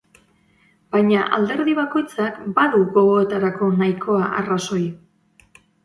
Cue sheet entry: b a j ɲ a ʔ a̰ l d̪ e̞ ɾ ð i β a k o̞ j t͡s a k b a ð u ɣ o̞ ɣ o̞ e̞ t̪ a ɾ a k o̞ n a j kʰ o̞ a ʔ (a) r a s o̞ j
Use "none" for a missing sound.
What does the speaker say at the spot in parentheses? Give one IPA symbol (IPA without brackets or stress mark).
a